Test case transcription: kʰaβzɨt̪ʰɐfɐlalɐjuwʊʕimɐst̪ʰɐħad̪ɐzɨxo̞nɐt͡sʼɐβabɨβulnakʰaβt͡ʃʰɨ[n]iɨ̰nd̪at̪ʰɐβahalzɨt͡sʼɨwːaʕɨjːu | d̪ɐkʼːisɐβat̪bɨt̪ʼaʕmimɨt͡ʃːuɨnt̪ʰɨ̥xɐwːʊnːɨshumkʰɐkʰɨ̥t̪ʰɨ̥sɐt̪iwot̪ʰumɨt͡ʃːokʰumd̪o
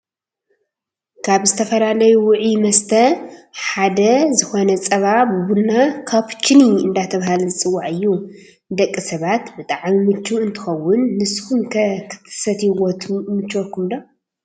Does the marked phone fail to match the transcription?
no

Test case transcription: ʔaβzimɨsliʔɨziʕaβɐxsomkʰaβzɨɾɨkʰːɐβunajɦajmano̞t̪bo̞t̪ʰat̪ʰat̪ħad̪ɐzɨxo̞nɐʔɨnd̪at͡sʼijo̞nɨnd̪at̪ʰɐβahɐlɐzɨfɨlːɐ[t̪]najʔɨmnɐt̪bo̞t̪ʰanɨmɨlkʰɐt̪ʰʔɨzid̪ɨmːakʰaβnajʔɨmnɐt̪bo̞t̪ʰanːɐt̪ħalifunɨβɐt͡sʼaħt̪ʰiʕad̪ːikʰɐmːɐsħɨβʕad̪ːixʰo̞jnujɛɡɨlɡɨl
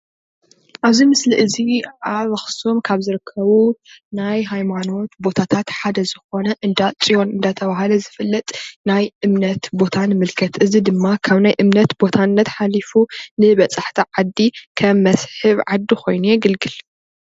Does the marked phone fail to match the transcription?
yes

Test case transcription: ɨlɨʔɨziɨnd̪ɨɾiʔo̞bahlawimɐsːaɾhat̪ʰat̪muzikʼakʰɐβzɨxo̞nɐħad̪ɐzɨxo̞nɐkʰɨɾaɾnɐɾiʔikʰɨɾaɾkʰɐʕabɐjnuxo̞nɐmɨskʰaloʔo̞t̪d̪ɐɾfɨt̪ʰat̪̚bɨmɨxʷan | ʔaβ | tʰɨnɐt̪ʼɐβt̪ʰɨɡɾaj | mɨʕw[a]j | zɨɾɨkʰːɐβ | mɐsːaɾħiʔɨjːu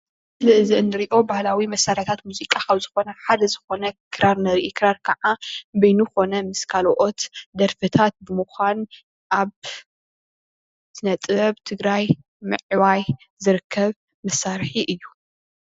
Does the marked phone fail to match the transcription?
no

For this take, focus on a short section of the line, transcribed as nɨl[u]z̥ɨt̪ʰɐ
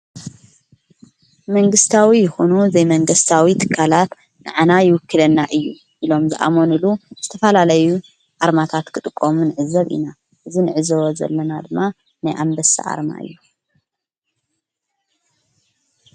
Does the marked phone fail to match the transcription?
no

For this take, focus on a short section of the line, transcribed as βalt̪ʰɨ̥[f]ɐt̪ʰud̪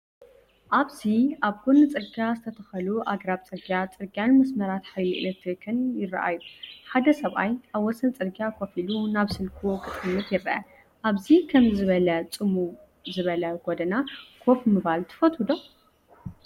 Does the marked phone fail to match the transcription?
no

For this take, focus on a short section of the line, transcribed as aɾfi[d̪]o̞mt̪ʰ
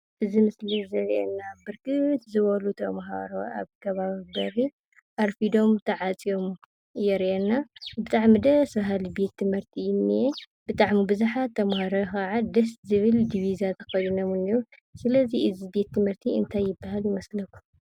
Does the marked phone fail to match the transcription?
no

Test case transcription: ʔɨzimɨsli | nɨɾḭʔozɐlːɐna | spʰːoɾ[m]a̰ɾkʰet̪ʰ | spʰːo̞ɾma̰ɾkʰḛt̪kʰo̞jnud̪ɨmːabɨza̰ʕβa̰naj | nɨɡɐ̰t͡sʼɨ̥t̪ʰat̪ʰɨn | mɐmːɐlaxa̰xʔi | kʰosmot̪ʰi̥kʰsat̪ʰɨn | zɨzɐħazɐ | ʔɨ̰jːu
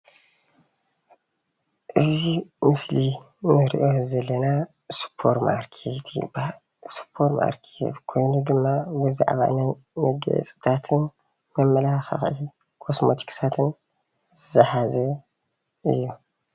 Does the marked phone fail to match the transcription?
no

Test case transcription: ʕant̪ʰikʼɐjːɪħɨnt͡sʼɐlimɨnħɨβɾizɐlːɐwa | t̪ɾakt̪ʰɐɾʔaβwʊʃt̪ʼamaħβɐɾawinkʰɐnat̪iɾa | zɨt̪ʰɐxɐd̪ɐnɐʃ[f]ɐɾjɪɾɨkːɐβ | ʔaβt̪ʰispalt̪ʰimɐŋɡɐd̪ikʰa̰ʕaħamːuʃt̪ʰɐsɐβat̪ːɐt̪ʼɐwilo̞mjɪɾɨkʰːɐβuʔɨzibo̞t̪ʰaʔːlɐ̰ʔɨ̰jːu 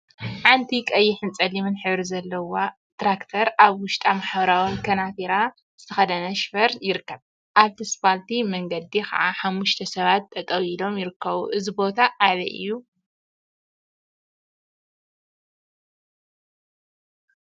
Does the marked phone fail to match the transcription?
no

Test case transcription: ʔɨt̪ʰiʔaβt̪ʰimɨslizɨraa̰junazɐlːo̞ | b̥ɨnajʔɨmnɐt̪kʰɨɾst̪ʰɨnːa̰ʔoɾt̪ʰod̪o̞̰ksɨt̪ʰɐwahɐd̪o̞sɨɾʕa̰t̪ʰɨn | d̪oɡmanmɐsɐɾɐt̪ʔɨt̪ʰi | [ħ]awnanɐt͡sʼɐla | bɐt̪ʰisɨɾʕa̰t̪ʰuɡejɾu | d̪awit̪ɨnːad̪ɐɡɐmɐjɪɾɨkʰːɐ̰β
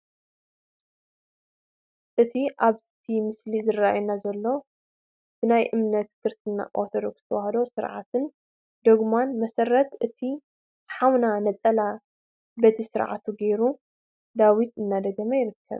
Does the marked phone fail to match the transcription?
no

